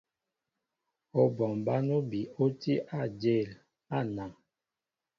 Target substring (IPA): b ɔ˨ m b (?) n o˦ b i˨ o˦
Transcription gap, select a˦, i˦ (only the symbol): a˦